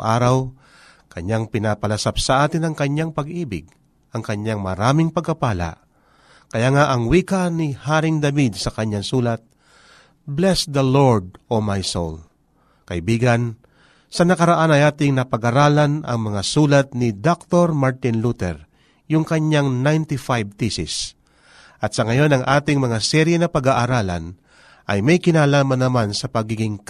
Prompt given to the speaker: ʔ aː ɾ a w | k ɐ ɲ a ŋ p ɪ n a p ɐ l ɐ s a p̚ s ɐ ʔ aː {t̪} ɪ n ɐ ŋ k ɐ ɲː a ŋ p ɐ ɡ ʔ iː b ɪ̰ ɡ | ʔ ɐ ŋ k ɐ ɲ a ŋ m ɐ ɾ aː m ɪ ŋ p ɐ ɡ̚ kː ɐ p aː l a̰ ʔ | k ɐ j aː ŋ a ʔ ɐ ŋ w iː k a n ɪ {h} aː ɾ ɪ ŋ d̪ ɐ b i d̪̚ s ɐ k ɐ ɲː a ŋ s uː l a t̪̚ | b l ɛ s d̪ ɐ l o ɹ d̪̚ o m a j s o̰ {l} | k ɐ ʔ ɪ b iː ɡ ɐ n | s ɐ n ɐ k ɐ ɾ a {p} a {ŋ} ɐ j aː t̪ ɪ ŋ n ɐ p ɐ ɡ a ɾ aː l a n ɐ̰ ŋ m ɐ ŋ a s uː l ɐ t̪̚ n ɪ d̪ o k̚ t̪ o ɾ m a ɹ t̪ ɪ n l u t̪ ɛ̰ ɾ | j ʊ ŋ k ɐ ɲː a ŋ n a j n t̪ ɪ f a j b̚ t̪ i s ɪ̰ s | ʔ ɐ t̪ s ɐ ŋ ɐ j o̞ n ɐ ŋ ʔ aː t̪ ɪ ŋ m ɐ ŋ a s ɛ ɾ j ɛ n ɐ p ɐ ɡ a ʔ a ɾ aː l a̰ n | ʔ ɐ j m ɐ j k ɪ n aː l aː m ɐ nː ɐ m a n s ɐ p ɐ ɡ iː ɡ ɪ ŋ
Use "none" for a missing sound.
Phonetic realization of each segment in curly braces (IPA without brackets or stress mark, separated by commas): t̪, h, l, ʔ, n